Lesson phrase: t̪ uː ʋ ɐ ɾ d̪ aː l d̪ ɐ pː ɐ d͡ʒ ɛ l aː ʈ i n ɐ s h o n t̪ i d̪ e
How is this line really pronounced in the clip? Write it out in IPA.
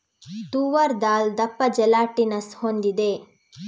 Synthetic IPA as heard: t̪ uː ʋ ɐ ɾ d̪ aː l d̪ ɐ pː ɐ d͡ʒ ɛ l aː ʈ i n ɐ s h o n d̪ i d̪ e